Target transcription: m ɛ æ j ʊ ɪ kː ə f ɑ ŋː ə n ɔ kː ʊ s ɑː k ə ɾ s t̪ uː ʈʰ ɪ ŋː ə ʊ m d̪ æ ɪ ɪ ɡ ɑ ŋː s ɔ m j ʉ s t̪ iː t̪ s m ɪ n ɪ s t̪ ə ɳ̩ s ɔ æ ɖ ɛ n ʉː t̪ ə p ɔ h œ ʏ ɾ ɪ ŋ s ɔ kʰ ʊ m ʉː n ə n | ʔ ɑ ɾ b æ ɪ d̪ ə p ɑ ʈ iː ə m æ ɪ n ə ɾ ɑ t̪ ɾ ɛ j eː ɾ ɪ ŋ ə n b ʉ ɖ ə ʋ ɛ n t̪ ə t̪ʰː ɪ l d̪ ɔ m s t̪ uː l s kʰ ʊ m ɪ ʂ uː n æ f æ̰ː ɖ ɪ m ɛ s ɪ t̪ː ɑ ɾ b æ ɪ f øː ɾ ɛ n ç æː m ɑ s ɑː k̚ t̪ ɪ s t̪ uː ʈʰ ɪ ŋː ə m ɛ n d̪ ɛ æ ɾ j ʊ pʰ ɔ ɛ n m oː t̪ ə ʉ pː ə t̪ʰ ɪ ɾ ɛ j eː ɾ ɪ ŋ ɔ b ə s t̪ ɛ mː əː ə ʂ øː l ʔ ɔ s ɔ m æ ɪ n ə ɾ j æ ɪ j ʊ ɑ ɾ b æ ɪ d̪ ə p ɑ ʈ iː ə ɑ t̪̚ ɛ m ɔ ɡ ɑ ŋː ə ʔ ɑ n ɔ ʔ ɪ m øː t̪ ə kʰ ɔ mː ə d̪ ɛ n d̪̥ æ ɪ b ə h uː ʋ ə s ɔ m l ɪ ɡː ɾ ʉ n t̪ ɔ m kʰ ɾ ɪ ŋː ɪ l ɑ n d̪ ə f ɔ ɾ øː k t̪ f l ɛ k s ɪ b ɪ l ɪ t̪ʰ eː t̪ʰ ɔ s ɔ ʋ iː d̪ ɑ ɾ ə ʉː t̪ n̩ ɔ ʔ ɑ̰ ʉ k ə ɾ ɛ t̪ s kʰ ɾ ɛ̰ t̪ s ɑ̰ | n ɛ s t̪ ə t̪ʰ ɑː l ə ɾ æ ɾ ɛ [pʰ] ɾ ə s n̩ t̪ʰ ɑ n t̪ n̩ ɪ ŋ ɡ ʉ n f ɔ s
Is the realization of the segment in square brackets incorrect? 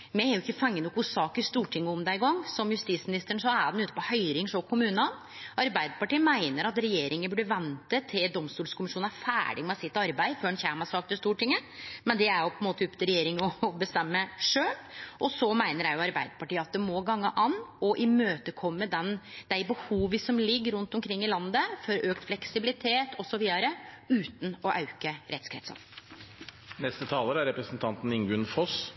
yes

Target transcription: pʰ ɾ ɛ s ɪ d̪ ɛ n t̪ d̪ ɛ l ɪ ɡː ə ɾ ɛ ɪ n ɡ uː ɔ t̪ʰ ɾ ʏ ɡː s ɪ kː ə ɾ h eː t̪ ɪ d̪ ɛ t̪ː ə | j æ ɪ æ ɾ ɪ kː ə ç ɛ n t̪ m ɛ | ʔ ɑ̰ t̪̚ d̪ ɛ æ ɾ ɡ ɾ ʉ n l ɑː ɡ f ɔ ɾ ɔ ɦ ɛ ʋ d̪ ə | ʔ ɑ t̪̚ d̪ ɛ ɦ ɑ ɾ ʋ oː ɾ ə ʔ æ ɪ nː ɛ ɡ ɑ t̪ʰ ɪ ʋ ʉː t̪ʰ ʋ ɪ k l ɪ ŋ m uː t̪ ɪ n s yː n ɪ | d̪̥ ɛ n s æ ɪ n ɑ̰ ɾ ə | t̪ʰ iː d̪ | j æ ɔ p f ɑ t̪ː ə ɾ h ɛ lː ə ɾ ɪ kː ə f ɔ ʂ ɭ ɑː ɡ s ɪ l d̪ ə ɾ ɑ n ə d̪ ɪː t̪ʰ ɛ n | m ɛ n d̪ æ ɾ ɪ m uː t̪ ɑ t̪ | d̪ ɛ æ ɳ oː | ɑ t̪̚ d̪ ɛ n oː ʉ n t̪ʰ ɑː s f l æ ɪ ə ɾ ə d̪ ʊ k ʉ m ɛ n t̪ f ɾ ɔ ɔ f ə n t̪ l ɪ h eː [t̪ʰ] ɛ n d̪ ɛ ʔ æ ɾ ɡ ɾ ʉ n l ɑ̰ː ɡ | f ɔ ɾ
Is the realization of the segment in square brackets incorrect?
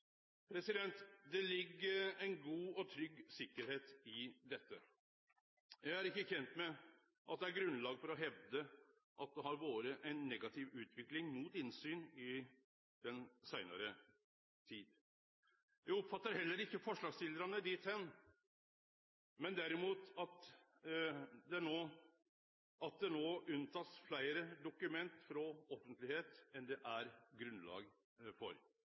yes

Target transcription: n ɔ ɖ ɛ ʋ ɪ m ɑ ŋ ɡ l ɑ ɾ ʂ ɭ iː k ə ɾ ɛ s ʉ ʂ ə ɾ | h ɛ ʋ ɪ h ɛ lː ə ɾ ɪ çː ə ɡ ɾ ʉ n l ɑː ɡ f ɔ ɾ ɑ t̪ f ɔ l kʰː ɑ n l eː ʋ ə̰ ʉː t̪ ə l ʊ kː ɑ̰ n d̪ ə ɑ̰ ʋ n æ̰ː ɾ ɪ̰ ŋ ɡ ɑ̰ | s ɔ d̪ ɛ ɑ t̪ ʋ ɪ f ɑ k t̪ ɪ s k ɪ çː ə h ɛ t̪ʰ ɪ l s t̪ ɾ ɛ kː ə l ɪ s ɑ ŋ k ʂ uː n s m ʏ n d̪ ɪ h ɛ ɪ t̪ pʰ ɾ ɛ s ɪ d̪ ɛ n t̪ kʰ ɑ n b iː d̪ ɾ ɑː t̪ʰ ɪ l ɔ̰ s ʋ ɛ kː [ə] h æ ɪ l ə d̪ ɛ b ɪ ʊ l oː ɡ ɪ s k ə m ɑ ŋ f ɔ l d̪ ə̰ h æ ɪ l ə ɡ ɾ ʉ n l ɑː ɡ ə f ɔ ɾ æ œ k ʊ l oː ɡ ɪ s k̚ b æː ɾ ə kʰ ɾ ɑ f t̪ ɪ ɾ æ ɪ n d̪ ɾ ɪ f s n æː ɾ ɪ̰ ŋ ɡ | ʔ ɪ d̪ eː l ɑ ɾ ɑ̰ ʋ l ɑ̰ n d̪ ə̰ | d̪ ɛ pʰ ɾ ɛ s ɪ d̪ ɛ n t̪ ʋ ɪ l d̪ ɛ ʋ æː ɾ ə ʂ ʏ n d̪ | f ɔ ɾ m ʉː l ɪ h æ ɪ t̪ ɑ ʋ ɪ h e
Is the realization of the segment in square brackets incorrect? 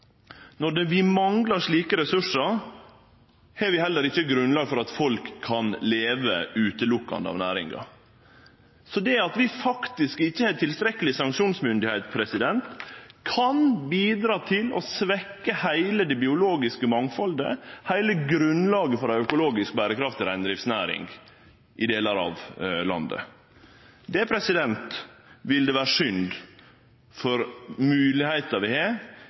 no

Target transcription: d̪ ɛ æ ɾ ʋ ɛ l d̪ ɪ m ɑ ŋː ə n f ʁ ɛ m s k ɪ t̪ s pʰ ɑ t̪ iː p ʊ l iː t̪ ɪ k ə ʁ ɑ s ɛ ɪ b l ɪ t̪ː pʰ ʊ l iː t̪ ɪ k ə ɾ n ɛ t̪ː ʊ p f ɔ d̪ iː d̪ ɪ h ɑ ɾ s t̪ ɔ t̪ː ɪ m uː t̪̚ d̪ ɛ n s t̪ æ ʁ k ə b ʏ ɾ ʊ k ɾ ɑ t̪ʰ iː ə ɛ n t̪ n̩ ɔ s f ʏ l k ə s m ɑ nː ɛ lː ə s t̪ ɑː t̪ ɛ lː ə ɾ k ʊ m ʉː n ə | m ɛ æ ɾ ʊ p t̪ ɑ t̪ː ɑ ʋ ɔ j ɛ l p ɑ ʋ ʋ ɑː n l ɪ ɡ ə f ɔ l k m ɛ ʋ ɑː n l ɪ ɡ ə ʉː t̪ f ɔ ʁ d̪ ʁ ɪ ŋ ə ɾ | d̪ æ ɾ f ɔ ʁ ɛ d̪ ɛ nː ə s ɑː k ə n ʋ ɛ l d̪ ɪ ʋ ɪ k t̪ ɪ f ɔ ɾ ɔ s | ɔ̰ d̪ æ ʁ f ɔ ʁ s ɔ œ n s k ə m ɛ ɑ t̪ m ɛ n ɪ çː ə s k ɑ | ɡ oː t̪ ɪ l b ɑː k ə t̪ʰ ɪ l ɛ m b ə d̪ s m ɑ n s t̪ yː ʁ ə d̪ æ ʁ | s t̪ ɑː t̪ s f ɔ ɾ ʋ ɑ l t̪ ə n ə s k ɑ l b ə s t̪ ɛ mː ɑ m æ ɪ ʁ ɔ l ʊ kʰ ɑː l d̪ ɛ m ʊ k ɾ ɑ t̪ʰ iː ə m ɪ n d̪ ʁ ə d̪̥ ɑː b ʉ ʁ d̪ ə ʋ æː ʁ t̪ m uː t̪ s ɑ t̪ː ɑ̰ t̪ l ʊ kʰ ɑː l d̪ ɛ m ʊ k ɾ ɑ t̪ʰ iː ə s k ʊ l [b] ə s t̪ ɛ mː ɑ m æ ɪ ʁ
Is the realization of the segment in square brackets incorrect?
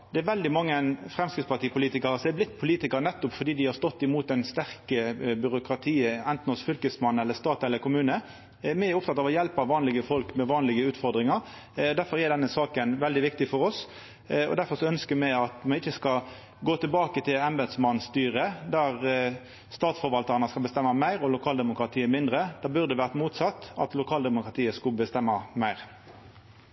no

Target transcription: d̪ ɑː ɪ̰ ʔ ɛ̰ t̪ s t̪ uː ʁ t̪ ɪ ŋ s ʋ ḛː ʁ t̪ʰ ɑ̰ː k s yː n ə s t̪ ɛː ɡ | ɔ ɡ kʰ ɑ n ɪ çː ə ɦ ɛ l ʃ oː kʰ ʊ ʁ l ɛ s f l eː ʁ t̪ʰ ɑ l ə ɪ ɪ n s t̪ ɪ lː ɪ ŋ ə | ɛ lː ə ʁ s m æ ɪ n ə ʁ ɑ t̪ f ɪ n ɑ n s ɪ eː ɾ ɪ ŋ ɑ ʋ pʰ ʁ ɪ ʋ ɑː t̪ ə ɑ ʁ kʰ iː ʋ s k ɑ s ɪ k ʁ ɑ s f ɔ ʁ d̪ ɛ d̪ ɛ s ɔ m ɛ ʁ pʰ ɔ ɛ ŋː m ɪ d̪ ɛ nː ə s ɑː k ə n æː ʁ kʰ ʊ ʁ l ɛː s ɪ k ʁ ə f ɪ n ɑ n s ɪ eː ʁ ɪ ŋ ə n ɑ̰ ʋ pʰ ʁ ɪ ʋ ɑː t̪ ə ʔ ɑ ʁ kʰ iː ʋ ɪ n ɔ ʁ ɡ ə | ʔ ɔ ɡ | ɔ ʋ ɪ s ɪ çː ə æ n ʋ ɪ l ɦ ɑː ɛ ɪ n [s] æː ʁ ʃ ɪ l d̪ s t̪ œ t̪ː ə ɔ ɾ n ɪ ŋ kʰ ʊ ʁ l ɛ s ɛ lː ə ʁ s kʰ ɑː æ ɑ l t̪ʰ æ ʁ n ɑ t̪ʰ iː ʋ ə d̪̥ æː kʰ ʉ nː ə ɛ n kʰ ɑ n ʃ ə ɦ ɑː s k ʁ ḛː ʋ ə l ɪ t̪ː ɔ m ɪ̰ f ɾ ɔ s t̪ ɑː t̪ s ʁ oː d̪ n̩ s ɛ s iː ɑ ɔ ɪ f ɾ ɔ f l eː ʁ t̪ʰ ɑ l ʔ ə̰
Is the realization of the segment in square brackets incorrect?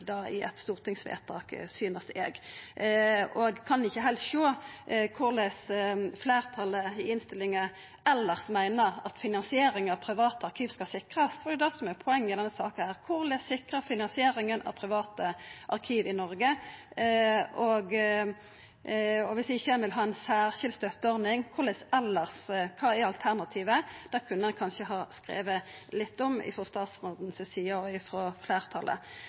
no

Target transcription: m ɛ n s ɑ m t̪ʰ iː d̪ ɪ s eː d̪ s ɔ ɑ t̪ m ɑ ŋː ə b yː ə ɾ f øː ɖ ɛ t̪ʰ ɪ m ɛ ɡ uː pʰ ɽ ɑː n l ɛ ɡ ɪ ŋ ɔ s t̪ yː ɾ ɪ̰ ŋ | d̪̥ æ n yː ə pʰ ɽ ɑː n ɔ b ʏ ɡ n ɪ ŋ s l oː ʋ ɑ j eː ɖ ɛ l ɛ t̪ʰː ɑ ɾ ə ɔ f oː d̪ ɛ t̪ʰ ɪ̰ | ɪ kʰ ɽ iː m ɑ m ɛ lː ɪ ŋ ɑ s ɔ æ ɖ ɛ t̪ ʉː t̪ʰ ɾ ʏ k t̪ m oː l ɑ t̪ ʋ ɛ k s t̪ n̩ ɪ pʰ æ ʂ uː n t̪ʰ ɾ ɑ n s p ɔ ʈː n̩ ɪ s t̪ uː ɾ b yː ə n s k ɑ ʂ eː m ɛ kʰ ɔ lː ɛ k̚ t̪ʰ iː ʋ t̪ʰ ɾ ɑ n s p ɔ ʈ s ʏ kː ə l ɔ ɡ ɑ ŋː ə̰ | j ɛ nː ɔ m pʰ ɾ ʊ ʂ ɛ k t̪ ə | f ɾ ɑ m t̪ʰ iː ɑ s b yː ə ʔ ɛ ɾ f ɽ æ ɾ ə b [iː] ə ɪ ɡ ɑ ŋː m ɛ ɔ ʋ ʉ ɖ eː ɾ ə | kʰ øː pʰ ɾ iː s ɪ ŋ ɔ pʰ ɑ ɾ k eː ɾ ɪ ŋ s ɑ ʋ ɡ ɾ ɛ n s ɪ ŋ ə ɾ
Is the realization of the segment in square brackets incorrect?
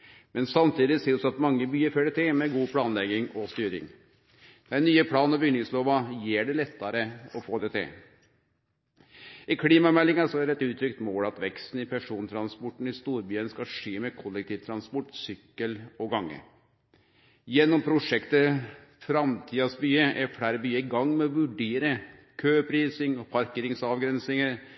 yes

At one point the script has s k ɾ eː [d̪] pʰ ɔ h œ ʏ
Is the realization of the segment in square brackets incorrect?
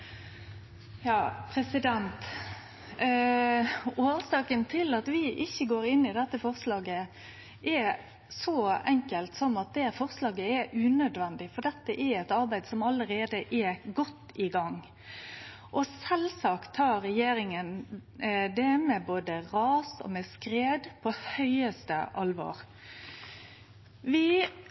no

